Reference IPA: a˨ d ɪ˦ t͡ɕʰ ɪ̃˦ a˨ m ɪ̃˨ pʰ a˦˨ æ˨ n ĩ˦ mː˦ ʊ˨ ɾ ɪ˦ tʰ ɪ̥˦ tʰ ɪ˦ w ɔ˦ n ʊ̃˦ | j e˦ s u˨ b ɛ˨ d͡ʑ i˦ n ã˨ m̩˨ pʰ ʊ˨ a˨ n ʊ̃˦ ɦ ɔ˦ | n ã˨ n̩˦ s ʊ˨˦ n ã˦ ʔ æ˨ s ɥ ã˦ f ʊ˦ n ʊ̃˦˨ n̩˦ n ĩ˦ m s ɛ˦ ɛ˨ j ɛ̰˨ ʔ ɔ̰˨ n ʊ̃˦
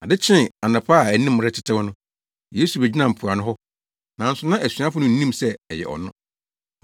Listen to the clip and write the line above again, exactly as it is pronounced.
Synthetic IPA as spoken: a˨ d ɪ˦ t͡ɕʰ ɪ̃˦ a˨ n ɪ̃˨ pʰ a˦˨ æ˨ n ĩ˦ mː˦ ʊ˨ ɾ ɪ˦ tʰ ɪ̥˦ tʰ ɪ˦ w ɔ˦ n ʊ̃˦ | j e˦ s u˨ b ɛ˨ d͡ʑ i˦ n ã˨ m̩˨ pʰ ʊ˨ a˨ n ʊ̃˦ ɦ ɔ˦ | n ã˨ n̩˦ s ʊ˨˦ n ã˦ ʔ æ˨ s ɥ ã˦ f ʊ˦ n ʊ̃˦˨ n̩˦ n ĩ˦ m s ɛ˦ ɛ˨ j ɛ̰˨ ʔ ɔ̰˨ n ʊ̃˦